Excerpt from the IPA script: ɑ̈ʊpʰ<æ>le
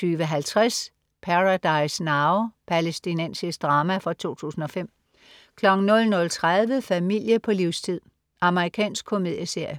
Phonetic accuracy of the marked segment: correct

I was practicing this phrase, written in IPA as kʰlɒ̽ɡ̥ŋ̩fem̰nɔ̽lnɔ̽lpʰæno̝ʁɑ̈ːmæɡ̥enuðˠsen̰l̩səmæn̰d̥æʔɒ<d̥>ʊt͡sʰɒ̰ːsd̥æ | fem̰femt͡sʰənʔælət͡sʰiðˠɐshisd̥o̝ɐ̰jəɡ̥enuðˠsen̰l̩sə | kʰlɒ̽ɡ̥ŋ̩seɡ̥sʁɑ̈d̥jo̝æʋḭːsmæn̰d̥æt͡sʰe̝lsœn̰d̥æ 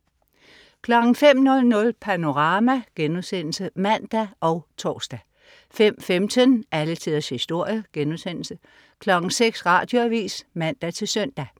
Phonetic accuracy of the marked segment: incorrect: none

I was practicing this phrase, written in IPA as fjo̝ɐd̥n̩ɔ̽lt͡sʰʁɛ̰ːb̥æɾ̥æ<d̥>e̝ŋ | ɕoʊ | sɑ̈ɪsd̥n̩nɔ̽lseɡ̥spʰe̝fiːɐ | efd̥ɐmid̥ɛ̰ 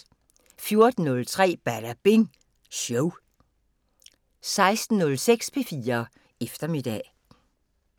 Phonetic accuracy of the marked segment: incorrect: b̥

